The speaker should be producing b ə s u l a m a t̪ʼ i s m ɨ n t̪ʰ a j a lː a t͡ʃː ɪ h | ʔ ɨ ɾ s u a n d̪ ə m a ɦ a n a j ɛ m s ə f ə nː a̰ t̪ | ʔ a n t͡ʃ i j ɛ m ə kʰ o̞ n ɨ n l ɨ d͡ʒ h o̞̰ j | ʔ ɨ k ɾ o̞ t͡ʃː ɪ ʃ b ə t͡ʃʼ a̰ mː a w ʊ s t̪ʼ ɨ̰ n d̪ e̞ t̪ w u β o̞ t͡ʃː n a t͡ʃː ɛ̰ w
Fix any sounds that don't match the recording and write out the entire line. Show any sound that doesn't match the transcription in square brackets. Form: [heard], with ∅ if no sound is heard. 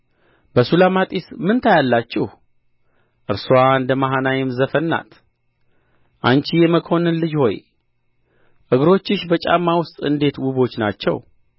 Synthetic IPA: b ə s u l a m a t̪ʼ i s m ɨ n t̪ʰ a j a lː a t͡ʃː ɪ h | ʔ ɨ ɾ s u a n d̪ ə m a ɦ a n a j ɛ m [z] ə f ə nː a̰ t̪ | ʔ a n t͡ʃ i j ɛ m ə kʰ o̞ n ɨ n l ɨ d͡ʒ h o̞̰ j | ʔ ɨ [ɡ] ɾ o̞ t͡ʃː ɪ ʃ b ə t͡ʃʼ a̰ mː a w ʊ s t̪ʼ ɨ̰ n d̪ e̞ t̪ w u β o̞ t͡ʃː n a t͡ʃː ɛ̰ w

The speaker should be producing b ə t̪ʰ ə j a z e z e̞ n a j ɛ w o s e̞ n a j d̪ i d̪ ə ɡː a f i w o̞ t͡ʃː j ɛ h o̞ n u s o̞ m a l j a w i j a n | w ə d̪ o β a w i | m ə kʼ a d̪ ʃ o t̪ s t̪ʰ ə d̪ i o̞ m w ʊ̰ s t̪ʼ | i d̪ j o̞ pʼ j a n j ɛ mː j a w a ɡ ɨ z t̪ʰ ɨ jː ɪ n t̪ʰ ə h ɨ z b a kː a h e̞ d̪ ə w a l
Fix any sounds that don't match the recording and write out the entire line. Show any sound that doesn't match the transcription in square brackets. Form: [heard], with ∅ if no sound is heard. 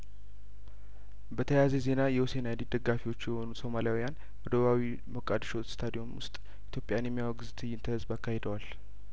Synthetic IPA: b ə t̪ʰ ə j a z e z e̞ n a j ɛ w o s e̞ n a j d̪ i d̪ ə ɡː a f i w o̞ t͡ʃː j ɛ h o̞ n u s o̞ m a l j a w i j a n | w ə d̪ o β a w i | m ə kʼ a d̪ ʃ o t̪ s t̪ʰ [a] d̪ i o̞ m w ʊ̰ s t̪ʼ | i [t̪] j o̞ pʼ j a n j ɛ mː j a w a ɡ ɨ z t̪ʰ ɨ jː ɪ n t̪ʰ ə h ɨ z b a kː a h e̞ d̪ ə w a l

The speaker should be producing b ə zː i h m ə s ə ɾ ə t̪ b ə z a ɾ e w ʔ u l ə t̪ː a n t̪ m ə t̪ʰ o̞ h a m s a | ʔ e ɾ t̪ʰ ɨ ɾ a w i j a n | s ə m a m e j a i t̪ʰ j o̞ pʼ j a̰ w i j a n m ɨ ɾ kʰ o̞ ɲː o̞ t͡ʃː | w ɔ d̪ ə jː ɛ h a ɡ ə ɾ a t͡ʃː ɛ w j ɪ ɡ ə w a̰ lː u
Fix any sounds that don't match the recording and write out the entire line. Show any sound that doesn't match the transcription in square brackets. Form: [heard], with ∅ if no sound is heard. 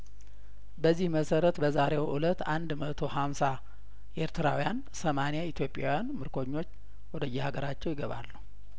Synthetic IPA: b ə zː i h m ə s ə ɾ ə t̪ b ə z a ɾ e w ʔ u l ə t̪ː a n [d̪] m ə t̪ʰ o̞ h a m s a | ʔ e ɾ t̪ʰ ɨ ɾ a w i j a n | s ə m a [n] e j a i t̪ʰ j o̞ pʼ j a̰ w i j a n m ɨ ɾ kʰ o̞ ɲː o̞ t͡ʃː | w ɔ d̪ ə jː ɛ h a ɡ ə ɾ a t͡ʃː ɛ w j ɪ ɡ ə [β] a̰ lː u

